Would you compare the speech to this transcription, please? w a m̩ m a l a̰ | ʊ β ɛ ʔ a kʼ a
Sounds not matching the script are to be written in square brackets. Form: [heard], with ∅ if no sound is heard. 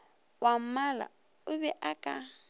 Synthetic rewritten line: w a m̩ m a l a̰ | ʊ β ɛ ʔ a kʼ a